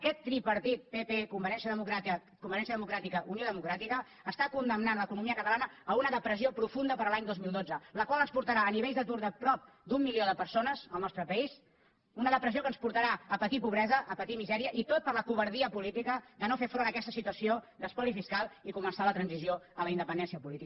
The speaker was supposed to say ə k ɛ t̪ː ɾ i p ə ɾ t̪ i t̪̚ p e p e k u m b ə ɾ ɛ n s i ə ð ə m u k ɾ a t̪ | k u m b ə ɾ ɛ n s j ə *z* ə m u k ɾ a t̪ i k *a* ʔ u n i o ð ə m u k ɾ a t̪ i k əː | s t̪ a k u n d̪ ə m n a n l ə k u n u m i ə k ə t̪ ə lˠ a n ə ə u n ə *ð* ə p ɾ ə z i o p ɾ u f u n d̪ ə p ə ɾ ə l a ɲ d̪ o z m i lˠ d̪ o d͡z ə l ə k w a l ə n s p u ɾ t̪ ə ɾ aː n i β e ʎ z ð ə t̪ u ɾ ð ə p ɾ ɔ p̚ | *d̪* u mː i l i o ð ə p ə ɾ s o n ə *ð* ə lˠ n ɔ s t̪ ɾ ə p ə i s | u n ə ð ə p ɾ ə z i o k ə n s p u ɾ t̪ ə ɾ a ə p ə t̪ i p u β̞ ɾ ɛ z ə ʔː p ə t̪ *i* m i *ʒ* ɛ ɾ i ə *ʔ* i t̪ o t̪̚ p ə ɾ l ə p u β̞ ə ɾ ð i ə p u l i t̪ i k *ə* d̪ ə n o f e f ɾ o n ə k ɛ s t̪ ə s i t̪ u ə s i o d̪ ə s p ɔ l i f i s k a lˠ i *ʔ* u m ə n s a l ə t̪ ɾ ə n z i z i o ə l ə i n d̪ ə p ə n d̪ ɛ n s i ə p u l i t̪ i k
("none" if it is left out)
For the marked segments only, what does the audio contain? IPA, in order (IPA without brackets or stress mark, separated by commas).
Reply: ð, ə, ð, d̪, z, i, z, ʔ, ə, k